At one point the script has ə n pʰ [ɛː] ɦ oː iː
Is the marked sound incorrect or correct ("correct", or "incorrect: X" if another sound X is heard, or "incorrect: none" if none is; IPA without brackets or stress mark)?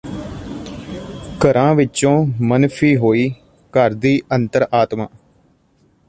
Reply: incorrect: iː